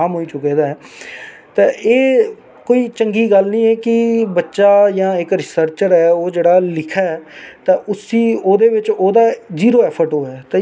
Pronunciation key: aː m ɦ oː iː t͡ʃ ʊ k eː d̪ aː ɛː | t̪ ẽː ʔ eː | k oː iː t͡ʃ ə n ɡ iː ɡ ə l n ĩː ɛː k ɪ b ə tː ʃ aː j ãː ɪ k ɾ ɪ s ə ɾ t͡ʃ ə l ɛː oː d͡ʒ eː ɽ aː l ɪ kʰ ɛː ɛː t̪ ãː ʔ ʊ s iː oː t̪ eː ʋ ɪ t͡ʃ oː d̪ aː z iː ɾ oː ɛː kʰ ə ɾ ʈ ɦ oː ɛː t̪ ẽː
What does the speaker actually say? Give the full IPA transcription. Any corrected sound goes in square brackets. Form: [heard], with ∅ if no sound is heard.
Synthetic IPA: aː m ɦ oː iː t͡ʃ ʊ k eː d̪ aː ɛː | t̪ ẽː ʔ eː | k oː iː t͡ʃ ə [ŋ] ɡ iː ɡ ə l n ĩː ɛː k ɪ b ə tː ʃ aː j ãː ɪ k ɾ ɪ s ə ɾ t͡ʃ ə [ɾ] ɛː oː d͡ʒ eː ɽ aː l ɪ kʰ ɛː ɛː t̪ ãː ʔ ʊ s iː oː [d̪] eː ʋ ɪ t͡ʃ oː d̪ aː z iː ɾ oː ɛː [pʰ] ə ɾ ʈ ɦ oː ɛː t̪ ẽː